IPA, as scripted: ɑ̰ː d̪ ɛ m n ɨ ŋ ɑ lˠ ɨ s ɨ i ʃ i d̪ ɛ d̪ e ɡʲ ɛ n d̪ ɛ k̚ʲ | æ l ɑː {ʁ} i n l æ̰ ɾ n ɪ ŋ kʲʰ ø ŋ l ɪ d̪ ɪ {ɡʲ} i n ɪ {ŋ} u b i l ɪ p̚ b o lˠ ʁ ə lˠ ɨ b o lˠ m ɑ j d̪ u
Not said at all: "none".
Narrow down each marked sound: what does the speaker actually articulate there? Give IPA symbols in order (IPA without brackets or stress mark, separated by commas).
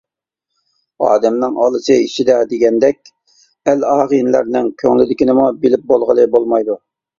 ʁ, kʲ, m